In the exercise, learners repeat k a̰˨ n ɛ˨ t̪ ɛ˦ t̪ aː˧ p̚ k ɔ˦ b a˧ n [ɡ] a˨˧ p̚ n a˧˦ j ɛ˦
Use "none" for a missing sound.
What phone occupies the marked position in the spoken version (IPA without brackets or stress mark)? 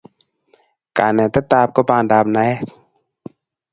d